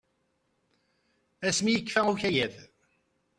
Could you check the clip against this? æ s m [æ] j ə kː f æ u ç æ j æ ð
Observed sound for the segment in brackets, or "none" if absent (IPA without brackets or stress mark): i